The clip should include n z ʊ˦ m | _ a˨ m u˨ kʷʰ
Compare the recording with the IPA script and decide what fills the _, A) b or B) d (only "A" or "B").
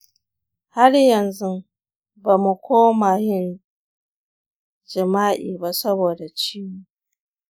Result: A